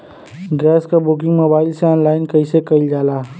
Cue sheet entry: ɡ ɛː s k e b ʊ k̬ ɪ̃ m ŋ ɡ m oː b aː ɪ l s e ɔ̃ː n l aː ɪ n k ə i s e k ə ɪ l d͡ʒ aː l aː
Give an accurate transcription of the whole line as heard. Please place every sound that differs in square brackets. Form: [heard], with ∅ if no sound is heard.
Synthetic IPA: ɡ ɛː s k [a] b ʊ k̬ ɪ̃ [∅] ŋ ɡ m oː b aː ɪ l s e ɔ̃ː n l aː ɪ n k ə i s e k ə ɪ l d͡ʒ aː l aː